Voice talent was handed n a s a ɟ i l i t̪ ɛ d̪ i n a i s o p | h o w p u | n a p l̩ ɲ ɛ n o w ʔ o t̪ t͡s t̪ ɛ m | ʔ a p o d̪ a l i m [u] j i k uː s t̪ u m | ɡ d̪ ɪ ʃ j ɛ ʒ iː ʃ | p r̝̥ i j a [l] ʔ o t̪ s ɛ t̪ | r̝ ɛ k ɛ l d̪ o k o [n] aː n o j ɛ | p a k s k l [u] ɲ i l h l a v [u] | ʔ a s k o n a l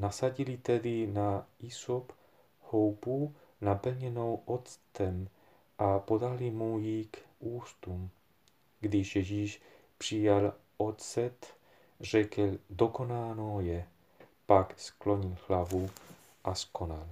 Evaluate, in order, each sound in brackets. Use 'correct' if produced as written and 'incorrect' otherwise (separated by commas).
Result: correct, correct, correct, incorrect, correct